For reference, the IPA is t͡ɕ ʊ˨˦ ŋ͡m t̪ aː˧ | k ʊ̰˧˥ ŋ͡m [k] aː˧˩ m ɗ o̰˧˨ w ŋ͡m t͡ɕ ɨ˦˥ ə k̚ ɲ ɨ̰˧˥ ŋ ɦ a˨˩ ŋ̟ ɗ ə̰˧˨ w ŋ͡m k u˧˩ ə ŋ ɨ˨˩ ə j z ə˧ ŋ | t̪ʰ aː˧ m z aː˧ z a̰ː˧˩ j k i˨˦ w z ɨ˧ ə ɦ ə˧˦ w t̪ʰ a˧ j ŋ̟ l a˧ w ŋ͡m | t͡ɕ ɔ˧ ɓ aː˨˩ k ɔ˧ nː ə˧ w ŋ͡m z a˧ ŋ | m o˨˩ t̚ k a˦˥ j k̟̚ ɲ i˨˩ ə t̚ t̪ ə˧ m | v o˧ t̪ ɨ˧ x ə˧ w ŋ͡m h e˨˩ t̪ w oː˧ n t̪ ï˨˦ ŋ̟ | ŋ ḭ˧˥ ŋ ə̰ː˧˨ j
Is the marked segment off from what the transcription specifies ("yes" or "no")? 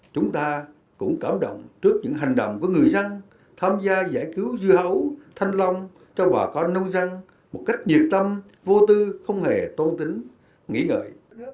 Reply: no